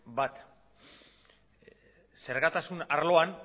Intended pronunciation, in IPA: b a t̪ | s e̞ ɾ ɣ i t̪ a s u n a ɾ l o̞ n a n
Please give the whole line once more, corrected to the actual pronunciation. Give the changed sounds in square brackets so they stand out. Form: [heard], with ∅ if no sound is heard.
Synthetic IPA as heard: b a t̪ | s e̞ ɾ ɣ [a] t̪ a s u n a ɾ l o̞ [∅] a n